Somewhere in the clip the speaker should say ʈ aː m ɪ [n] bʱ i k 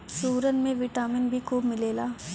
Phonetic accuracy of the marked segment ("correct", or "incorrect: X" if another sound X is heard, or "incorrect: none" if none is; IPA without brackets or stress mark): correct